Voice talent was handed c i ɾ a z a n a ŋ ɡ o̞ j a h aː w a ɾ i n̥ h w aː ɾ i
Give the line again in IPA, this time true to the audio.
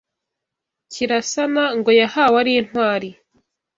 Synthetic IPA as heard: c i ɾ a s a n a ŋ ɡ o̞ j a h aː w a ɾ i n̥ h w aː ɾ i